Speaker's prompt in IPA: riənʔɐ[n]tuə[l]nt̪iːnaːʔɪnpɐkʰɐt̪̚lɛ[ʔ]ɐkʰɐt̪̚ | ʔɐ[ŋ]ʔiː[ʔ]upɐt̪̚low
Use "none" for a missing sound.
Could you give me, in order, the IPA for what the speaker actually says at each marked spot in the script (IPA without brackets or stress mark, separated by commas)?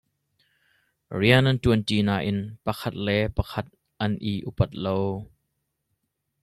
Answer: n, none, p, n, ʔ